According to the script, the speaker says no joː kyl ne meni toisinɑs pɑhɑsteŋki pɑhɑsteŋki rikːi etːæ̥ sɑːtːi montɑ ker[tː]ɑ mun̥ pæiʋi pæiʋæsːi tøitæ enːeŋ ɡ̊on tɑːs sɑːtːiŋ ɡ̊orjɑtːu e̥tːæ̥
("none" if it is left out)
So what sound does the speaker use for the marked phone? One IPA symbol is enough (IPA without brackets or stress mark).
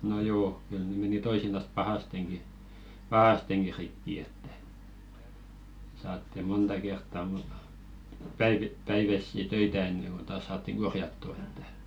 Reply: tː